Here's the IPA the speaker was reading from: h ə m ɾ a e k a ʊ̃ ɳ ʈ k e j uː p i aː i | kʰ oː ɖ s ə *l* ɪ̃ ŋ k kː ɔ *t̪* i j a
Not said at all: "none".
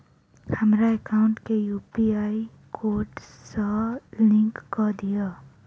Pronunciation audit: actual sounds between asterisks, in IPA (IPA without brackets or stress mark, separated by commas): l, d̪